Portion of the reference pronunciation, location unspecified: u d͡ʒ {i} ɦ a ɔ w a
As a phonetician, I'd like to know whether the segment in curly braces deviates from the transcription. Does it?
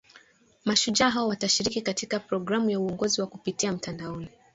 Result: yes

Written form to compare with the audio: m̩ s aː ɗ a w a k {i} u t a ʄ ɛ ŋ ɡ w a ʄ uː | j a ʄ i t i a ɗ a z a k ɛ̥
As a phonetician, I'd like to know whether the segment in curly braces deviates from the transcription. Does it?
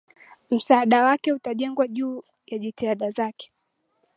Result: yes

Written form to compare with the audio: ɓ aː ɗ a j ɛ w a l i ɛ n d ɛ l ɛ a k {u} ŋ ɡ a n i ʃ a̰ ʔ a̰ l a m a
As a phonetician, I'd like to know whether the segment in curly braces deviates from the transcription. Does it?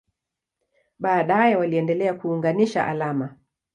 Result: yes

